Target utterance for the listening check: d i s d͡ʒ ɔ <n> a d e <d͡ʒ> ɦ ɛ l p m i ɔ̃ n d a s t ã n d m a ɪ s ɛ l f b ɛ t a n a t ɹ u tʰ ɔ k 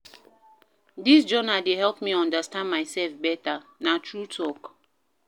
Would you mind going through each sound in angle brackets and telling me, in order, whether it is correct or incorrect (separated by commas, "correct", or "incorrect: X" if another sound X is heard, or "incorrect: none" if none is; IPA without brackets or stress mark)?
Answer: correct, incorrect: none